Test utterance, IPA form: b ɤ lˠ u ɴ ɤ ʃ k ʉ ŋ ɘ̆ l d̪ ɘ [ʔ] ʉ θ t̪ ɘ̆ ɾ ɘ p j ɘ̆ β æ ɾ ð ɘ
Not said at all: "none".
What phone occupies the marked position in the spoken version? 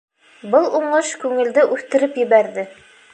ʔ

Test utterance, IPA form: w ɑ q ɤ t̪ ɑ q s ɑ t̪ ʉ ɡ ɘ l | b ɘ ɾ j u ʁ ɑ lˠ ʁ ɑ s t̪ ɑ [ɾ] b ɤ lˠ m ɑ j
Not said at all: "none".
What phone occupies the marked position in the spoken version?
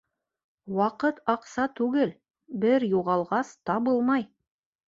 none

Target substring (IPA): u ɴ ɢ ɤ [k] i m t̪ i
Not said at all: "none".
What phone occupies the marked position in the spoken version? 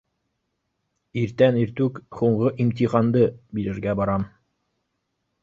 ʔ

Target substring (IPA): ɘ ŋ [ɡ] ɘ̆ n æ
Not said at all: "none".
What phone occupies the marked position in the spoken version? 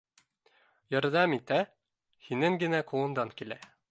ɡ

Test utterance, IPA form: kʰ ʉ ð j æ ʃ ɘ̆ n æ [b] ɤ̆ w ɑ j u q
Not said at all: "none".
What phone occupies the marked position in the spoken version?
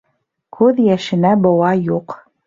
b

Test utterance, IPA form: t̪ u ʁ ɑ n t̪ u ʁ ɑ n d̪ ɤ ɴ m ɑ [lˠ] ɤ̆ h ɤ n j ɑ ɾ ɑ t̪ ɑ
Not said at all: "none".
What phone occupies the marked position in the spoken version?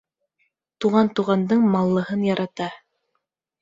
lˠː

